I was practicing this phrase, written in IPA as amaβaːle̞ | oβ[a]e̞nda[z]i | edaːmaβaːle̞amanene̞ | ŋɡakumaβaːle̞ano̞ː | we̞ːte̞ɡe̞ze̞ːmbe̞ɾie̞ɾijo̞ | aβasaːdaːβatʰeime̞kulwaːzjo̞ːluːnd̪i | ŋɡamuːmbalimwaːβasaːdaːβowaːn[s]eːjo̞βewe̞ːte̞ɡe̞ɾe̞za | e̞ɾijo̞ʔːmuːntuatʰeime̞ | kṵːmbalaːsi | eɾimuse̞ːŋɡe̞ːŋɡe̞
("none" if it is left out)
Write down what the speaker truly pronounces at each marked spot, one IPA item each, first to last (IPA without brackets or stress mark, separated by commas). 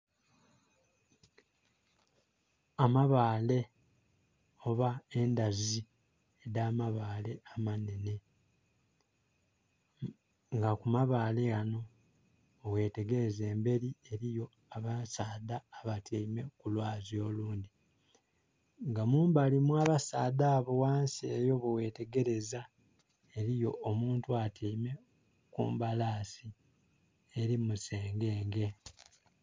a, z, s